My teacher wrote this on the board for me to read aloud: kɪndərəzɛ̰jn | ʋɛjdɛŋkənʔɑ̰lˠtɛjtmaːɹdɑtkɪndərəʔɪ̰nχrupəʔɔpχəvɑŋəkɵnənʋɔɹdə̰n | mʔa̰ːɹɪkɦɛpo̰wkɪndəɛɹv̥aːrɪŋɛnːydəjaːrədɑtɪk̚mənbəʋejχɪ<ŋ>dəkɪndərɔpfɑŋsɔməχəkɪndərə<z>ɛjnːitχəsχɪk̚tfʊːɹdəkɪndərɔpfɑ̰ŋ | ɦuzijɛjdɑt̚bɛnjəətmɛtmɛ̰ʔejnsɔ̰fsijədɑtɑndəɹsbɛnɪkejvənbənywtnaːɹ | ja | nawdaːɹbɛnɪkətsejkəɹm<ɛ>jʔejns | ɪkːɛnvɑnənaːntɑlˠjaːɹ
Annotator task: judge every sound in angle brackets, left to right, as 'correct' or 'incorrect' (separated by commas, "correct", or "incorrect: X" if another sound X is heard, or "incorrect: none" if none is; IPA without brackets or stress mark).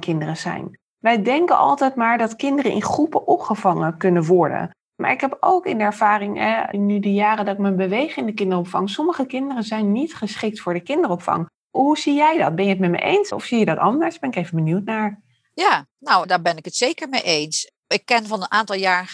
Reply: incorrect: n, correct, incorrect: e